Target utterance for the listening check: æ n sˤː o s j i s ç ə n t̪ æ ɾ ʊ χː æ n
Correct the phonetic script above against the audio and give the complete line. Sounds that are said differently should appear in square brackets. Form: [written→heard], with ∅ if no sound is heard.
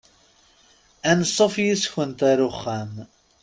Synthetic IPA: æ n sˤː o [s→f] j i s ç ə n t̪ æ ɾ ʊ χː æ [n→m]